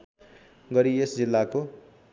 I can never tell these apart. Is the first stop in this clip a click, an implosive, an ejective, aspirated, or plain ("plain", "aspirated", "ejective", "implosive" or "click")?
plain